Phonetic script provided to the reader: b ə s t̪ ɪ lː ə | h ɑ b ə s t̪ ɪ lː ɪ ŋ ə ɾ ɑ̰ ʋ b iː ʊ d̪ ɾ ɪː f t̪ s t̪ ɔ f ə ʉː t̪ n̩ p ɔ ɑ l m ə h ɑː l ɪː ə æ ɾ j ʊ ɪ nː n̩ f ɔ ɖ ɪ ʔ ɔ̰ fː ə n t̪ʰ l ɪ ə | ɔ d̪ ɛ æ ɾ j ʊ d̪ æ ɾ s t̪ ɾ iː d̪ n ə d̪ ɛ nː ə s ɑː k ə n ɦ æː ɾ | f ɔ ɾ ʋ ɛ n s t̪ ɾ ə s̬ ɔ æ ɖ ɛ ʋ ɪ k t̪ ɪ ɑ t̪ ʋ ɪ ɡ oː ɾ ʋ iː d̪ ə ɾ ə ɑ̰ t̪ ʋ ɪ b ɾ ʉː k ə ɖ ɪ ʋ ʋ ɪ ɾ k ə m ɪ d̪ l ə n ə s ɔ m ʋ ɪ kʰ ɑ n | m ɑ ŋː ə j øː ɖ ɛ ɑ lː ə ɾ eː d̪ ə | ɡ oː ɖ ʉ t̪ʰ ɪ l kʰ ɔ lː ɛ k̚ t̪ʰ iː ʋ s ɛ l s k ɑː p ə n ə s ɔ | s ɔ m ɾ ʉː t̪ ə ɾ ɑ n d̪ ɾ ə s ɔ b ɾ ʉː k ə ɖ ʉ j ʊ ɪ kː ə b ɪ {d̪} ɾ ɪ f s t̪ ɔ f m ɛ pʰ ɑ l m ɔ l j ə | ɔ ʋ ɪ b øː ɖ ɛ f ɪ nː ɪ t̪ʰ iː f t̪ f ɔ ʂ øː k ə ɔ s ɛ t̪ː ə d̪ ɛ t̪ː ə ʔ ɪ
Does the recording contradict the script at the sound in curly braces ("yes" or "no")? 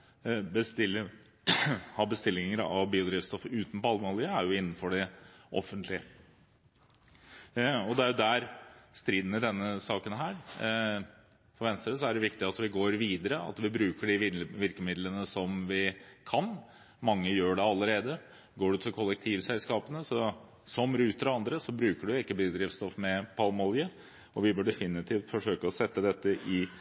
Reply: no